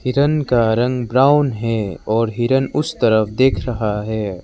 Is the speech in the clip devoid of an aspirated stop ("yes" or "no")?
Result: no